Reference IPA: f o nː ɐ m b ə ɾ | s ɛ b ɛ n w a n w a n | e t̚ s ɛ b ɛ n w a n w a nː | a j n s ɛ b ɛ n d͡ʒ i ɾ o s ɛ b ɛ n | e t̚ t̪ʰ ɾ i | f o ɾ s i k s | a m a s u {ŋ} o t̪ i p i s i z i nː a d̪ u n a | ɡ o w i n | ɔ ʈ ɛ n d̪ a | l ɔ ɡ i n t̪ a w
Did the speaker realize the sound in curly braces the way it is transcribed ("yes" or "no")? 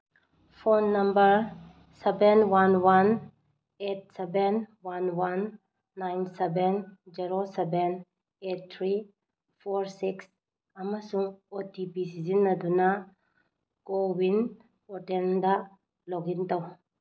yes